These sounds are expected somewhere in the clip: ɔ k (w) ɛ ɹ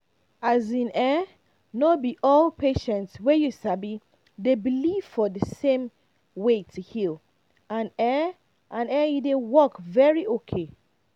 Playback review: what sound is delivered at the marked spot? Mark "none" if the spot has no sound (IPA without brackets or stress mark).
v